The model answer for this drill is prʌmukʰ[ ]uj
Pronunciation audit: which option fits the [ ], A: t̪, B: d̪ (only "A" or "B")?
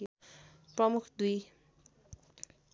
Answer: B